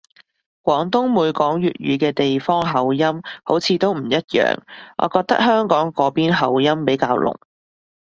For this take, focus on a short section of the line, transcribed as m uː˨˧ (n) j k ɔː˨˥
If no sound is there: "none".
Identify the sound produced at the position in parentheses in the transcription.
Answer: none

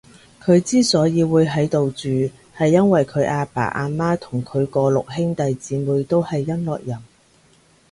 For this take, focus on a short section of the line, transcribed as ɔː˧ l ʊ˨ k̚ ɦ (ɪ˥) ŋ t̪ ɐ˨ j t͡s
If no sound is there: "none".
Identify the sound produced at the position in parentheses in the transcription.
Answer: ɪ˥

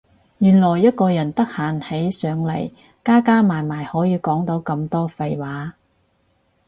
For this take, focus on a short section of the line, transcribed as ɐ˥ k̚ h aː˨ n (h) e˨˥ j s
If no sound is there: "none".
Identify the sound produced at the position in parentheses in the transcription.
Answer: h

